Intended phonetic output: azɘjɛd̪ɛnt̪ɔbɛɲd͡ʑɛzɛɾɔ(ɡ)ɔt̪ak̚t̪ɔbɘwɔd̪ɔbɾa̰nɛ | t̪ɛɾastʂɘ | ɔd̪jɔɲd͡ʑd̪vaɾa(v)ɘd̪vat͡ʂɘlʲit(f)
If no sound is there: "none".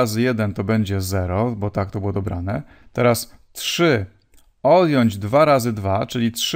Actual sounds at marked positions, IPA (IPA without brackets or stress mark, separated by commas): b, z, ʂ